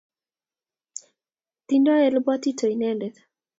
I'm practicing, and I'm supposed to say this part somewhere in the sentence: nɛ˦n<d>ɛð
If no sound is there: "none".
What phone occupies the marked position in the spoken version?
d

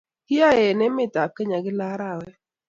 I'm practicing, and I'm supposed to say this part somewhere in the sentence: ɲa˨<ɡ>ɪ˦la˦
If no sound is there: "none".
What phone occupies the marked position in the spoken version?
ɡ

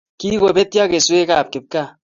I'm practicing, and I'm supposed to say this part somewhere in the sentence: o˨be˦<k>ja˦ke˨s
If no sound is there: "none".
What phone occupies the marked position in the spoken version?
t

